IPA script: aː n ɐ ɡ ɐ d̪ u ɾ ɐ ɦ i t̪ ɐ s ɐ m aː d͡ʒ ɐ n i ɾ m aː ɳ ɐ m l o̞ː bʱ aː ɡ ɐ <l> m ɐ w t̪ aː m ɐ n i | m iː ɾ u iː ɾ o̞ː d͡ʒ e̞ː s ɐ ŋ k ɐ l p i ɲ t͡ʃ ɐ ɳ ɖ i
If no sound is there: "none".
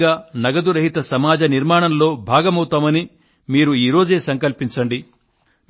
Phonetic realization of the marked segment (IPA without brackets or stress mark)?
none